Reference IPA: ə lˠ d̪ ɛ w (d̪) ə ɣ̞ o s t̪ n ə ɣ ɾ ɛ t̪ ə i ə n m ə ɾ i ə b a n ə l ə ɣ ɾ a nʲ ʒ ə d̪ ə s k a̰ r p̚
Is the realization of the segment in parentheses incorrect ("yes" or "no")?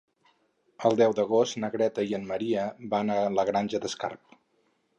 no